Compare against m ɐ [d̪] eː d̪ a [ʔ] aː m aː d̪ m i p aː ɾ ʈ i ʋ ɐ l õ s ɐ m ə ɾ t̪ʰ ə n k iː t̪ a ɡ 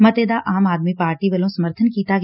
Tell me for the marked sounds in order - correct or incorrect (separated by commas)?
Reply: incorrect, correct